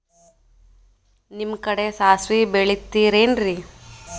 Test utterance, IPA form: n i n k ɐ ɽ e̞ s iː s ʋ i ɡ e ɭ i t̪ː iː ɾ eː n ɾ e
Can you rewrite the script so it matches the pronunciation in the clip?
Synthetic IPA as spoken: n i m k ɐ ɽ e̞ s aː s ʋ i b e ɭ i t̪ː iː ɾ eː n ɾ i